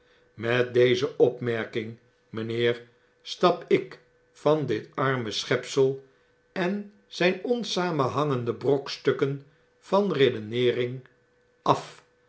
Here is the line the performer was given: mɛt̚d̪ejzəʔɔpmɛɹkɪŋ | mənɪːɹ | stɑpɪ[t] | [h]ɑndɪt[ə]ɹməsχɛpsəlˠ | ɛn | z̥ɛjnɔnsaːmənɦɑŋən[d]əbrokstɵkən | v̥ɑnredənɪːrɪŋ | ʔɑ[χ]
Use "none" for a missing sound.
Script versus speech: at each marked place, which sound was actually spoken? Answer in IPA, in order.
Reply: k, f, ɑ, d, f

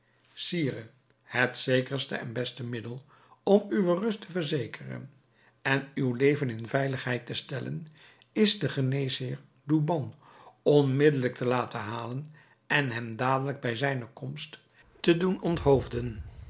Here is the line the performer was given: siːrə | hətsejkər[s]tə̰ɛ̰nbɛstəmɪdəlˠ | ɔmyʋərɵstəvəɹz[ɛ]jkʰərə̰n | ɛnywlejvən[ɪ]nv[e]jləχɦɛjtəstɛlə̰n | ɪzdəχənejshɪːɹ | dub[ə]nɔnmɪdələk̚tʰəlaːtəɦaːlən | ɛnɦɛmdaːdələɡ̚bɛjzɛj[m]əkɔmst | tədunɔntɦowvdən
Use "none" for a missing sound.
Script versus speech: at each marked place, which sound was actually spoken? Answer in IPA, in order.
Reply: s, e, ɪ, ɛ, ɑ, n

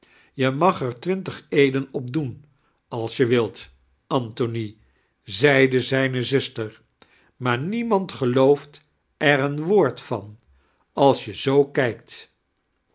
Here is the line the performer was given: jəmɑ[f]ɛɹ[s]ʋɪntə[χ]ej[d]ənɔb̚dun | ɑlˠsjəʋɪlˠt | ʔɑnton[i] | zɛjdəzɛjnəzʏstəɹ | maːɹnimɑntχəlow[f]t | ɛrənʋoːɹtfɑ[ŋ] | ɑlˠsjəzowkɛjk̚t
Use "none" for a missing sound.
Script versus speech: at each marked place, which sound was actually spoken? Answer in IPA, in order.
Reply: χ, t, χ, d, i, f, n

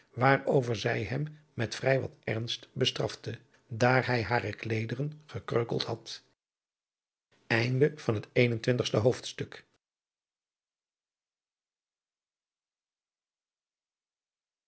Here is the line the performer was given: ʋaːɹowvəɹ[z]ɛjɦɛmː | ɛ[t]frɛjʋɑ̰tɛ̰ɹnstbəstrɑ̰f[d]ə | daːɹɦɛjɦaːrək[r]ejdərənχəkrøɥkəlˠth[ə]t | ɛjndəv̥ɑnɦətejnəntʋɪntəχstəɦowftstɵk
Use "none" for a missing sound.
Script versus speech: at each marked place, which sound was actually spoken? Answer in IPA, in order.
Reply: z, t, t, l, ɑ

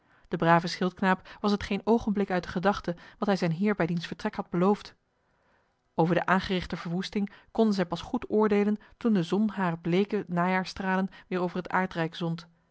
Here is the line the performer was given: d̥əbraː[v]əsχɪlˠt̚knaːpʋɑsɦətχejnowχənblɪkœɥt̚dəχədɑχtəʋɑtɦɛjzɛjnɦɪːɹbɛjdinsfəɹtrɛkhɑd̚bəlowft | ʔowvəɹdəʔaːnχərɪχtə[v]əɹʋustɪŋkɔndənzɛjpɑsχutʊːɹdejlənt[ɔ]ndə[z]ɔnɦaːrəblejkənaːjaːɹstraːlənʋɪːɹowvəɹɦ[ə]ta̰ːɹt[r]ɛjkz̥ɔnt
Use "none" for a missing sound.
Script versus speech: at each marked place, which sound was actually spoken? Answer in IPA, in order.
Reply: v, v, u, z, ə, r

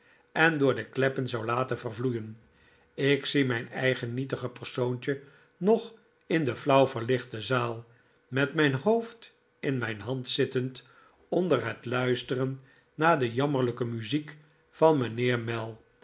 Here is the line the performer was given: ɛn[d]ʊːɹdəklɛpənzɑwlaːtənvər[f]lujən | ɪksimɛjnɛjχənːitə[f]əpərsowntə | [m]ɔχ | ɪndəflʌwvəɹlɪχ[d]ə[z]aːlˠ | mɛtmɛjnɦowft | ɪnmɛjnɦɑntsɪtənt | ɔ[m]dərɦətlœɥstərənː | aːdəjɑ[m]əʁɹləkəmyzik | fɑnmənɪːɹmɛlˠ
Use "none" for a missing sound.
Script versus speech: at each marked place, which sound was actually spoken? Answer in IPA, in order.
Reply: d, v, χ, n, t, z, n, m

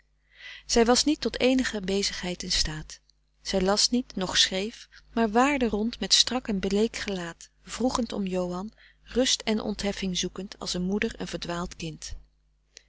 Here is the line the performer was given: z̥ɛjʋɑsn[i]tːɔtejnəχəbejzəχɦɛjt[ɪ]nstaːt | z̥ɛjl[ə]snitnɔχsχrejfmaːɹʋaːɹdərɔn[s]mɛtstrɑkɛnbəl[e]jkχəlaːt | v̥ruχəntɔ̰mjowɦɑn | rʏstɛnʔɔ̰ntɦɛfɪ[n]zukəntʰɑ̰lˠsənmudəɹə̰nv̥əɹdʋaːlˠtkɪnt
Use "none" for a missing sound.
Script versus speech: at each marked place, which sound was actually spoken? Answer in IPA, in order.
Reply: i, ɪ, ɑ, t, e, ŋ

